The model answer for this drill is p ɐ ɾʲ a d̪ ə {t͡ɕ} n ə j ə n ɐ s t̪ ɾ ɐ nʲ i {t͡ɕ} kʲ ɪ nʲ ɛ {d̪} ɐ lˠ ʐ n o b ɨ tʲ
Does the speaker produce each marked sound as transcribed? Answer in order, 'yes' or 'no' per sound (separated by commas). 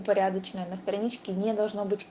yes, yes, yes